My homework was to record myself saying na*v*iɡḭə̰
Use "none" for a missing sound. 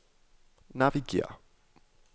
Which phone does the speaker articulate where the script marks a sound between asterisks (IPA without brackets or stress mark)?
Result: v